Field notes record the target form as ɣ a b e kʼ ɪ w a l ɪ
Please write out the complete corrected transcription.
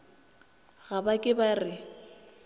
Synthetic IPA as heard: ɣ a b a kʼ ɪ b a r ɪ